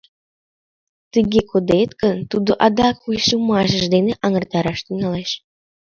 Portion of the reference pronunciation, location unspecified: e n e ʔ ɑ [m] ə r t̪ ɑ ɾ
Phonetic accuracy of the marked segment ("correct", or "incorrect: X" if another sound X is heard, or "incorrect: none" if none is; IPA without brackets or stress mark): incorrect: ŋ